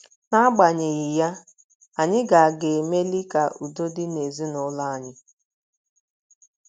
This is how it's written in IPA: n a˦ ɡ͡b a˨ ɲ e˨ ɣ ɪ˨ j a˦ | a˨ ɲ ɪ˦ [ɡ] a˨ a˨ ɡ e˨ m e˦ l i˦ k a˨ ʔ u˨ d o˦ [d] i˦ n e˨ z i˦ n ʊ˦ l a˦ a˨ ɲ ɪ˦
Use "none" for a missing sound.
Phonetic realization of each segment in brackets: ɡ, d

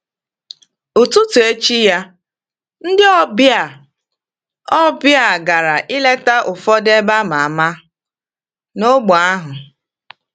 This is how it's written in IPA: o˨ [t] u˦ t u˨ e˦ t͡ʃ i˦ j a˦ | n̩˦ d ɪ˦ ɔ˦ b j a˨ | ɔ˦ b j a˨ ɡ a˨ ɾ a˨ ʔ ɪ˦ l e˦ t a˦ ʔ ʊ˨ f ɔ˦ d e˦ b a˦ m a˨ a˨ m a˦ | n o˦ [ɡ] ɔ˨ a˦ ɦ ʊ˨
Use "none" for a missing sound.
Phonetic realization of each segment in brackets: t, ɡ͡b

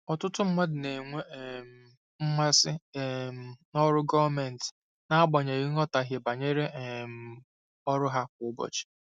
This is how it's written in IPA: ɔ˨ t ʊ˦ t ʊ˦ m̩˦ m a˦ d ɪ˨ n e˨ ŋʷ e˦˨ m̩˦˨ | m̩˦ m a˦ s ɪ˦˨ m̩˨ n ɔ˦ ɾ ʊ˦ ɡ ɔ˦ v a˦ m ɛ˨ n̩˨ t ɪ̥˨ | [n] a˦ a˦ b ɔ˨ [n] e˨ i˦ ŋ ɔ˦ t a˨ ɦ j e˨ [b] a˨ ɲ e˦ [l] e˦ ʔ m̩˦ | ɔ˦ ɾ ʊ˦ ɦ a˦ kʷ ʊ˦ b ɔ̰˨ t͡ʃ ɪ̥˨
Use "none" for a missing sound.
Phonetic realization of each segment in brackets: n, ɲ, b, ɾ

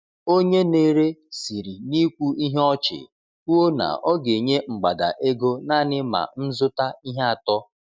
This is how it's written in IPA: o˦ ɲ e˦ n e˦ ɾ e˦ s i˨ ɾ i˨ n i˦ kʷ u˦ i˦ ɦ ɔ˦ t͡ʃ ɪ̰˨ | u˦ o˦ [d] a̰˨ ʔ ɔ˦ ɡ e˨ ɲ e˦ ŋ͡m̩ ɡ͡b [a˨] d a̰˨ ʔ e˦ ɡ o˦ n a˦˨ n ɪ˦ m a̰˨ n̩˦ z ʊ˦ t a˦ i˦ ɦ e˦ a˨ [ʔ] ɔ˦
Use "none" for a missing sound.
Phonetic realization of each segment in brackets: n, a˨, t

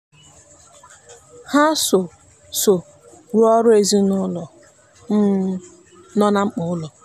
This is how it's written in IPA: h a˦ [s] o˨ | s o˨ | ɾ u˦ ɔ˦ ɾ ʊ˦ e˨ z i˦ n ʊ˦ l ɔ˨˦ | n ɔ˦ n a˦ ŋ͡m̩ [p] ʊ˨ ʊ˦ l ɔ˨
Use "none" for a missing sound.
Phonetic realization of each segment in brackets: s, k͡p

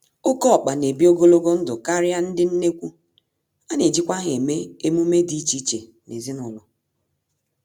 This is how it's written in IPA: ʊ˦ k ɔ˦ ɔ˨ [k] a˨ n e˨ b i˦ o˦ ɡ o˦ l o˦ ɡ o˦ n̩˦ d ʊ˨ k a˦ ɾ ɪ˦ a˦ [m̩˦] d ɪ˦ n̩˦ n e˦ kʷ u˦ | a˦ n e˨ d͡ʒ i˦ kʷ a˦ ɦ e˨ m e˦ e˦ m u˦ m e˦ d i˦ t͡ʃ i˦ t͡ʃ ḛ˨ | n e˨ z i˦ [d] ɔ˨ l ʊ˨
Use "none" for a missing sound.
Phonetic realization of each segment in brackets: k͡p, n̩˦, n

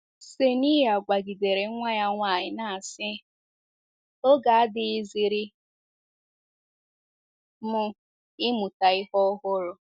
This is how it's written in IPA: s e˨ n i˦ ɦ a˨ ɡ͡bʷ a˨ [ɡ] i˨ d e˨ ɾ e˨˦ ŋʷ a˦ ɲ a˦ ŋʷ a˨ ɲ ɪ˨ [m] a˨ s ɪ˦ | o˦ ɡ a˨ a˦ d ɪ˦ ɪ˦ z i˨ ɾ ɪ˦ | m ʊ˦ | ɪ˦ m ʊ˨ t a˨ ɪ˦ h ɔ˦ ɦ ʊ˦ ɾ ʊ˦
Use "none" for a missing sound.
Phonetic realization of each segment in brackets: ɡ, n

